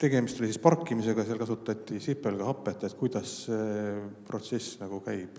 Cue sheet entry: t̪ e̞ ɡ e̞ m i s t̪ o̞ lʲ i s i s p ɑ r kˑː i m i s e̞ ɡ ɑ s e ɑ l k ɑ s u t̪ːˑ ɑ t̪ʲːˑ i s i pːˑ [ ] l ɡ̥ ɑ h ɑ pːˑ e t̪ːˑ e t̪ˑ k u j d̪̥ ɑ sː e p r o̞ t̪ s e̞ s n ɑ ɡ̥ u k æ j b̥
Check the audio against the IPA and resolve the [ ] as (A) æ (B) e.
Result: B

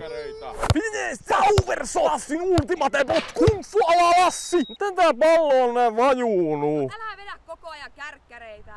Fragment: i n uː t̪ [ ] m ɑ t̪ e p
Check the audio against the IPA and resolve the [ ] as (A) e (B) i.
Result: B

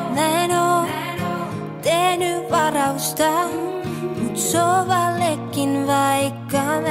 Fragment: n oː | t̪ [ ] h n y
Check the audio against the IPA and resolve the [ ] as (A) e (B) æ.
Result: A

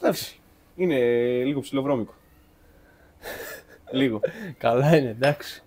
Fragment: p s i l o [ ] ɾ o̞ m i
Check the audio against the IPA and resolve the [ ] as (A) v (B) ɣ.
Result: A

